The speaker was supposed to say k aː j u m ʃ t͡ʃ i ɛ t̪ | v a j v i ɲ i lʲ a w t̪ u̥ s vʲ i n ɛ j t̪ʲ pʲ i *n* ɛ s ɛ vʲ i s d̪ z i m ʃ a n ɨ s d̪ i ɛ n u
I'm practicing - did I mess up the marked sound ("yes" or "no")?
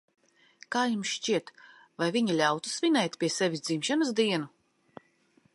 yes